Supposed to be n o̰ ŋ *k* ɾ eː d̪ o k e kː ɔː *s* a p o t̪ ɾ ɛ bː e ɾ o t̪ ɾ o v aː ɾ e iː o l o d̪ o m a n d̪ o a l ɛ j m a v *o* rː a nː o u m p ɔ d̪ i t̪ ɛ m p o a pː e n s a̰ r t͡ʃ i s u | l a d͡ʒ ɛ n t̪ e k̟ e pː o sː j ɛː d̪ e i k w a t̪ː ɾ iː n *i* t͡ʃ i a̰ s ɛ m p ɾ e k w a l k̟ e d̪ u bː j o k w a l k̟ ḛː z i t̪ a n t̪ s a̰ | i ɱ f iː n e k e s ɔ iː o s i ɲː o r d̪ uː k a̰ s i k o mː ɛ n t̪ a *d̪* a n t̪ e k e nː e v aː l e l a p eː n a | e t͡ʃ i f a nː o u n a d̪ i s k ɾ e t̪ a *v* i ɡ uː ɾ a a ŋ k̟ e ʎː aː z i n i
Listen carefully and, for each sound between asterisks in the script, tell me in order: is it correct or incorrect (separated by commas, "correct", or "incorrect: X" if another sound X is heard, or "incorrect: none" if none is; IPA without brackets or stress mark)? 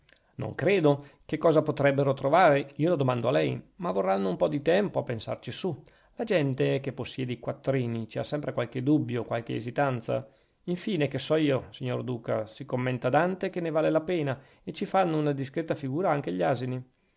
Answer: correct, incorrect: z, correct, correct, correct, incorrect: f